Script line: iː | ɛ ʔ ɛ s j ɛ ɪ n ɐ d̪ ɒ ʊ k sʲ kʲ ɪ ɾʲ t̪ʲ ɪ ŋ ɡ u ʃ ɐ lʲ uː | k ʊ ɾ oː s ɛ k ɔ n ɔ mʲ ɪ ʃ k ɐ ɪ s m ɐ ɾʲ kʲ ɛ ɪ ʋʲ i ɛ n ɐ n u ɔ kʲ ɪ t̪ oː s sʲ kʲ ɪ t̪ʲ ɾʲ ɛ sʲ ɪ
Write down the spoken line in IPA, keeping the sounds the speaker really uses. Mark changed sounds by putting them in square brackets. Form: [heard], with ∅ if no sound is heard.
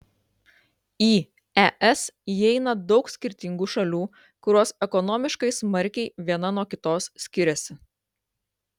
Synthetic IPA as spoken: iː | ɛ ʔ ɛ s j ɛ ɪ n ɐ d̪ ɒ ʊ k sʲ kʲ ɪ ɾʲ t̪ʲ ɪ ŋ ɡ u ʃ ɐ lʲ uː | k ʊ ɾ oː s ɛ k ɔ n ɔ mʲ ɪ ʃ k ɐ ɪ s m ɐ ɾʲ kʲ ɛ ɪ ʋʲ i ɛ n ɐ n u ɔ kʲ ɪ t̪ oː s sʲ kʲ ɪ [∅] ɾʲ ɛ sʲ ɪ